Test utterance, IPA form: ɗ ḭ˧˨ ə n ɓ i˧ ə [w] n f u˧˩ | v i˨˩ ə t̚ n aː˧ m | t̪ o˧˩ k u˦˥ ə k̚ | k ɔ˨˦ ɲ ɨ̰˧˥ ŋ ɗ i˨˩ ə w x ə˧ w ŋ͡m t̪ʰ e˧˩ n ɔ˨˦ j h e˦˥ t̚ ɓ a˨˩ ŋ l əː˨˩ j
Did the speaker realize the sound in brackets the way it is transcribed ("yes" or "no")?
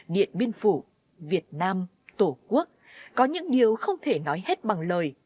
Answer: no